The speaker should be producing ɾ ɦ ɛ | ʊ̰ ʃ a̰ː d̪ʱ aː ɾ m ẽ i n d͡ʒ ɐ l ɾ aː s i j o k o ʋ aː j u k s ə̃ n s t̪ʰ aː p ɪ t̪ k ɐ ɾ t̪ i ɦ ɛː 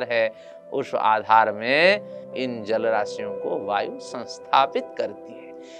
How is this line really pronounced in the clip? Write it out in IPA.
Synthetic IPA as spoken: ɾ ɦ ɛ | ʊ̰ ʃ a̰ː d̪ʱ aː ɾ m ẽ ɪ n d͡ʒ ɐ l ɾ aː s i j õ k o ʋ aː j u s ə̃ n s t̪ʰ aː p ɪ t̪ k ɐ ɾ t̪ i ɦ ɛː